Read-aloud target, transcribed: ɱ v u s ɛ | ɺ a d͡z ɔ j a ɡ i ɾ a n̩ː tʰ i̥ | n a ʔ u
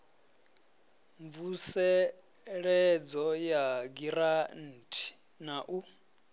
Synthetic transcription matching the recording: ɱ v u s ɛ | ɺ ɛ d͡z ɔ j a ɡ i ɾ a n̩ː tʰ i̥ | n a ʔ u